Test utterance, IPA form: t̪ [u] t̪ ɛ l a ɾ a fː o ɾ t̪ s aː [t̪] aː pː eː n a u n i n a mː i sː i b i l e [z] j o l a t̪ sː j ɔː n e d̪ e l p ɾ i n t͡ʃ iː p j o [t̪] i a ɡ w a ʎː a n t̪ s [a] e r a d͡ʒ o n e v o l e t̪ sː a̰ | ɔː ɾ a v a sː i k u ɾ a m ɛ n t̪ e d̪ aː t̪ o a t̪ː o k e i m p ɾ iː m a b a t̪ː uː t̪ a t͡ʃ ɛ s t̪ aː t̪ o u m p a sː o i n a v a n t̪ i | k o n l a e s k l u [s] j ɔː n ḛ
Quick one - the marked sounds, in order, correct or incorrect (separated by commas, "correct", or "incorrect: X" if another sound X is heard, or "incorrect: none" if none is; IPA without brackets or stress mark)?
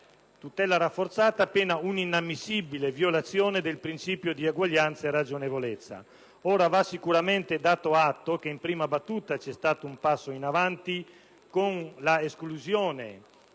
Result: correct, correct, incorrect: v, incorrect: d̪, correct, incorrect: z